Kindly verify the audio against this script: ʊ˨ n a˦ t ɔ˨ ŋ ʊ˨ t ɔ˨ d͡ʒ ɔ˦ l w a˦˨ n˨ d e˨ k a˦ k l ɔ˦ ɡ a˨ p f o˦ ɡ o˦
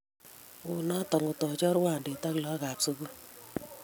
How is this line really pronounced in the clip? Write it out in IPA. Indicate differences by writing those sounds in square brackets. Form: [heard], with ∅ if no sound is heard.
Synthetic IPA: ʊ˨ n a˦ t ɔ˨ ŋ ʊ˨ t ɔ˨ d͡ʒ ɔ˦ [ɾ] w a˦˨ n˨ d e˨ [t] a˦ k l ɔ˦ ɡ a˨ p [s] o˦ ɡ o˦